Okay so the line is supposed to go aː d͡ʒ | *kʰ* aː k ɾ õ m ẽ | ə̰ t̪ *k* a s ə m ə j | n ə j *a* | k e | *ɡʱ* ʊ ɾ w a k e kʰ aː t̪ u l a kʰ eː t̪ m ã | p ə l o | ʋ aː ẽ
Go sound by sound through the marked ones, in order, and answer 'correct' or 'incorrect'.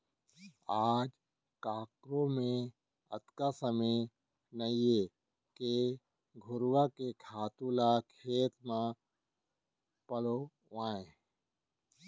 incorrect: k, correct, incorrect: e, correct

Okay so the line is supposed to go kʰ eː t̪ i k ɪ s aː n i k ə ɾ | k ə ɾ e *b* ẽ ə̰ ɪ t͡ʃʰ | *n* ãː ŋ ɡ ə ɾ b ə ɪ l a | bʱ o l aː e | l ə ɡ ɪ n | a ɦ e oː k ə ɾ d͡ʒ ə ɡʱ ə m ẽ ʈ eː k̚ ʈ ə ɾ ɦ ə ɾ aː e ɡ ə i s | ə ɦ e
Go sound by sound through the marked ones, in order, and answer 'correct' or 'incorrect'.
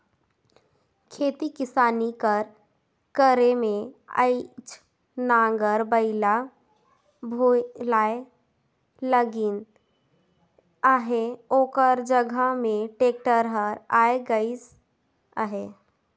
incorrect: m, correct

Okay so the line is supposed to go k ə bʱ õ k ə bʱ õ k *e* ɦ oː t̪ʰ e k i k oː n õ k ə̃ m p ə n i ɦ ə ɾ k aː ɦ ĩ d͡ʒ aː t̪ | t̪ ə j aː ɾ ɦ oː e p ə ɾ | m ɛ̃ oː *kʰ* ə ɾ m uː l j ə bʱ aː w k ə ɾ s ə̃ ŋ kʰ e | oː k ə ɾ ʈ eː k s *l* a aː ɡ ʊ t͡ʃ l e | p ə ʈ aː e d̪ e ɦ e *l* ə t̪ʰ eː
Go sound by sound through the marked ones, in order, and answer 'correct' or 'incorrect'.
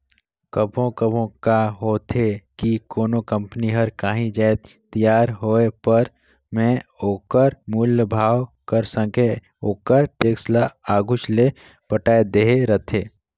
incorrect: a, incorrect: k, correct, incorrect: ɾ

